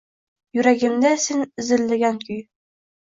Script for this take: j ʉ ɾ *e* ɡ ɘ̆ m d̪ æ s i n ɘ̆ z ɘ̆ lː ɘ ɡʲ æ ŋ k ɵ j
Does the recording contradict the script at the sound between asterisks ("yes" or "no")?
yes